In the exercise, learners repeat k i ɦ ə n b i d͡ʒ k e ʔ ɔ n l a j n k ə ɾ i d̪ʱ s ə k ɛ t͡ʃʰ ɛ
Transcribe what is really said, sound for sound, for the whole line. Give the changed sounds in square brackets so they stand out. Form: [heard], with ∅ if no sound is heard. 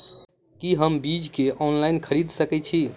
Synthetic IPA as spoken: k i ɦ ə [m] b i d͡ʒ k e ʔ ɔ n l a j n [kʰ] ə ɾ i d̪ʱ s ə k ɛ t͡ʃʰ [i]

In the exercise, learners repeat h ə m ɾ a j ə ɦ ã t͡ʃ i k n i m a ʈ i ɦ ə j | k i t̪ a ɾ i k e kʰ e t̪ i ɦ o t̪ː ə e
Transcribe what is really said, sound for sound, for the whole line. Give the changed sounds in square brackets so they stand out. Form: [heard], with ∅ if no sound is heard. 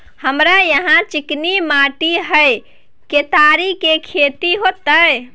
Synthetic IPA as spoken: h ə m ɾ a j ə ɦ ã t͡ʃ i k n i m a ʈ i ɦ ə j | k [e] t̪ a ɾ i k e kʰ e t̪ i ɦ o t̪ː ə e

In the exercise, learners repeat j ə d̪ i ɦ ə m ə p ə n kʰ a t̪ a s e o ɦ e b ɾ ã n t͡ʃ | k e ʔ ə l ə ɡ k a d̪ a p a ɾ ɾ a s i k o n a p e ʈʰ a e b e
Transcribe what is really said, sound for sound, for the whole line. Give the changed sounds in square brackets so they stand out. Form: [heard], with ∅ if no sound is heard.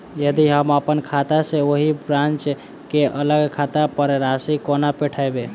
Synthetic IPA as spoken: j ə d̪ i ɦ ə m ə p ə n kʰ a t̪ a s e o ɦ [i] b ɾ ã n t͡ʃ | k e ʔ ə l ə ɡ [kʰ] a [t̪] a p [ə] ɾ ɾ a s i k o n a p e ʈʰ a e b e

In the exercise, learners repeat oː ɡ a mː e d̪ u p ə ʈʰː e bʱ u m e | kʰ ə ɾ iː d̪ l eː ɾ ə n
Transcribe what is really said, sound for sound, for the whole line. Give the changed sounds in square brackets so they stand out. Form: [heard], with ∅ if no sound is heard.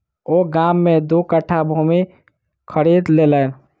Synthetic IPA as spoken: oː ɡ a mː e d̪ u [k] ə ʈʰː [a] bʱ u m [i] | kʰ ə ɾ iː d̪ l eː [l] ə n

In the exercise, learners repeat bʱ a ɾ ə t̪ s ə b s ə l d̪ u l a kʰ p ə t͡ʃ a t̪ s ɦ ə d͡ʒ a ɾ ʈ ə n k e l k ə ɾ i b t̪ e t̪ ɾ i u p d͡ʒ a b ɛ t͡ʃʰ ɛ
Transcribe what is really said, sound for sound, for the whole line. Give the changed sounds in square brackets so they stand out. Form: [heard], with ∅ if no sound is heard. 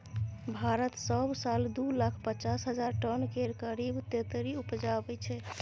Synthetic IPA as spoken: bʱ a ɾ ə t̪ s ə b s [a] l d̪ u l a kʰ p ə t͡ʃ a [∅] s ɦ ə d͡ʒ a ɾ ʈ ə n k e [ɾ] k ə ɾ i b t̪ e t̪ ɾ i u p d͡ʒ a b ɛ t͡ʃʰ ɛ

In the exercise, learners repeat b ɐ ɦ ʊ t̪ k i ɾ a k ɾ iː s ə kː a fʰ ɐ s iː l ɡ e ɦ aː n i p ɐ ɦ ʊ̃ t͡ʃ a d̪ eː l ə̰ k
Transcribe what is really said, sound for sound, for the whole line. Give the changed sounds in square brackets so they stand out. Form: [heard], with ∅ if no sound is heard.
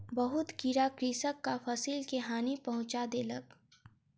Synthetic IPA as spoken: b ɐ ɦ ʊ t̪ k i ɾ a k ɾ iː s ə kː a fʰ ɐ s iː l [k] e ɦ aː n i p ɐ ɦ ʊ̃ t͡ʃ a d̪ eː l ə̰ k

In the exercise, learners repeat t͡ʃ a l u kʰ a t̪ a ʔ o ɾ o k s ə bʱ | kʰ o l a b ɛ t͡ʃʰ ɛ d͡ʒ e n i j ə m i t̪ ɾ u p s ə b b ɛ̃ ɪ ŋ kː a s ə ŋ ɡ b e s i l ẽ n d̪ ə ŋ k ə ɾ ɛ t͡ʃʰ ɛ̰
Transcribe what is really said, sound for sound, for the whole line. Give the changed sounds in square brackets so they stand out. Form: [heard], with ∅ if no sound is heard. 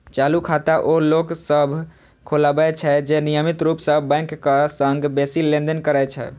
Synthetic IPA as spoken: t͡ʃ a l u kʰ a t̪ a ʔ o [l] o k s ə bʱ | kʰ o l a b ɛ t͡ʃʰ ɛ d͡ʒ e n i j ə m i t̪ ɾ u p s ə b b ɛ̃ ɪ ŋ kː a s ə ŋ ɡ b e s i l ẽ n d̪ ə [n] k ə ɾ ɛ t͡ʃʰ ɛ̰

